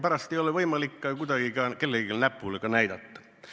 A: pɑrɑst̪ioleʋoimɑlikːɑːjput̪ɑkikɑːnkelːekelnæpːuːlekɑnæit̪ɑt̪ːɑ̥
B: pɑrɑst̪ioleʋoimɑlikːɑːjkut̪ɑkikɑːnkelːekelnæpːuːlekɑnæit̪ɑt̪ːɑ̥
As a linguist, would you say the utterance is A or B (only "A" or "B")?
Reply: B